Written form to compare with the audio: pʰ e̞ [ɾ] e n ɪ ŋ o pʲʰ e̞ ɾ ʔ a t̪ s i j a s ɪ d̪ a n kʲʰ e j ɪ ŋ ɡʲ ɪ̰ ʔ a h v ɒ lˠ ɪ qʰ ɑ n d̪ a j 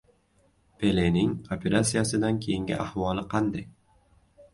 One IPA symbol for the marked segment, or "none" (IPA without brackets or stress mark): l